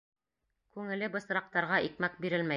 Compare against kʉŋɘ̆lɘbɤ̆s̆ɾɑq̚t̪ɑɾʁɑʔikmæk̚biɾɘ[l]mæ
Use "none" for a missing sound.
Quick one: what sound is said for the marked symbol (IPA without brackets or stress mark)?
l